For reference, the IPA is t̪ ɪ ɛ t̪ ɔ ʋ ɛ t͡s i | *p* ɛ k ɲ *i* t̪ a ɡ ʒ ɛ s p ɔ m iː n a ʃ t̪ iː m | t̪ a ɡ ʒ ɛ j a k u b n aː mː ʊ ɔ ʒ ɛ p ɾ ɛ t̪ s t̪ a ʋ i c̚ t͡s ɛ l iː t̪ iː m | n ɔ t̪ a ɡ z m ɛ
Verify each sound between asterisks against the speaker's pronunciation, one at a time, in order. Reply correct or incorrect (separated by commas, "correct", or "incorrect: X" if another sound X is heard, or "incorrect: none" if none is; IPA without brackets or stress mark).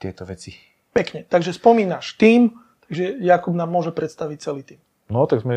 correct, incorrect: ɛ